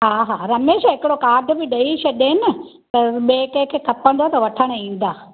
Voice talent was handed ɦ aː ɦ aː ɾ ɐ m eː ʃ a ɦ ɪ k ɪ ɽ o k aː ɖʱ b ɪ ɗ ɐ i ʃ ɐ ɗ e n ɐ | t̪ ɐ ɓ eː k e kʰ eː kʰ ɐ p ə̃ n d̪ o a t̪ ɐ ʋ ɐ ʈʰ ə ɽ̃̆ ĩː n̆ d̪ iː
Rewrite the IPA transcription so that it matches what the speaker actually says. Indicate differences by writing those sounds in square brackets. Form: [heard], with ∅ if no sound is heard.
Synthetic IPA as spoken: ɦ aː ɦ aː ɾ ɐ m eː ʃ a ɦ ɪ k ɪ ɽ o k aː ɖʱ b ɪ ɗ ɐ i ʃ ɐ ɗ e n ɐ | t̪ ɐ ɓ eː k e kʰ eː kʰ ɐ p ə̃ n d̪ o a t̪ ɐ ʋ ɐ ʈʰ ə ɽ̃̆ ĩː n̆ d̪ [aː]